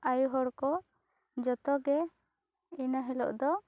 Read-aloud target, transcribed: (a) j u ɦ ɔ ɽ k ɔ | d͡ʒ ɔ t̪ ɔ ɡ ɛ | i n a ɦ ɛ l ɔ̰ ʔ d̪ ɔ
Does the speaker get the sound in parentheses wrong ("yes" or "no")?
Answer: no